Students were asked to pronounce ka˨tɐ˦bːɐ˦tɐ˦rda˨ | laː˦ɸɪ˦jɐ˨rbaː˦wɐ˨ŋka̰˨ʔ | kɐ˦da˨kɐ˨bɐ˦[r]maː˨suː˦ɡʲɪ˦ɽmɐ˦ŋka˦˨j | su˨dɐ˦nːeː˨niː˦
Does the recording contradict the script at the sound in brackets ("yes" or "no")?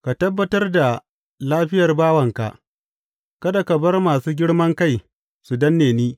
no